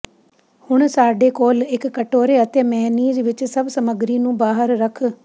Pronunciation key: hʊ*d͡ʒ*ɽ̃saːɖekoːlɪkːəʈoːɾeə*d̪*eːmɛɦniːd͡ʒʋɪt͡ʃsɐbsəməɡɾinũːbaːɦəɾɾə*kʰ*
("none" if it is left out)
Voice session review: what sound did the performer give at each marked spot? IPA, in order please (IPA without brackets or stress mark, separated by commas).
none, t̪, kʰ